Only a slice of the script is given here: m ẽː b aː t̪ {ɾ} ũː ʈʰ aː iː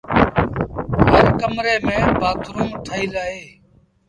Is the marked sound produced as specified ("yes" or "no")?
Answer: yes